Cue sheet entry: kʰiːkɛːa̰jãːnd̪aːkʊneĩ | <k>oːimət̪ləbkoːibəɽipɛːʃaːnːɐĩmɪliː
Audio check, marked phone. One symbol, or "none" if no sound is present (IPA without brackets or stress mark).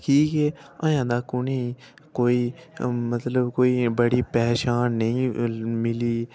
k